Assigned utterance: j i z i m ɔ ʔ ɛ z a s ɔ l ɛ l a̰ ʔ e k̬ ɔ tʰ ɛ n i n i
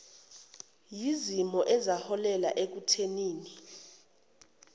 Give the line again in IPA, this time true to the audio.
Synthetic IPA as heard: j i z i m ɔ ʔ ɛ z a h ɔ l ɛ l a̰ ʔ e k̬ u tʰ e n iː n i